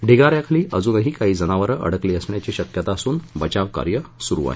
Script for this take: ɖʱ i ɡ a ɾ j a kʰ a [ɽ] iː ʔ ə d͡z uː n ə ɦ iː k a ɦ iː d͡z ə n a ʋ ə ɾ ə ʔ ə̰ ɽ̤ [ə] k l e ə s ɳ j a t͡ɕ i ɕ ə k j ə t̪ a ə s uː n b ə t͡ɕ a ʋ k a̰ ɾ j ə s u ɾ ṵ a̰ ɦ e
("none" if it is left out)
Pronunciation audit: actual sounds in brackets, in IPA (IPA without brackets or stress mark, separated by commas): l, ə